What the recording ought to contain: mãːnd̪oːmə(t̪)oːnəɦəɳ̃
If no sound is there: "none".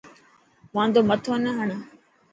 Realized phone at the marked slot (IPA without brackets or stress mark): t̪ʰ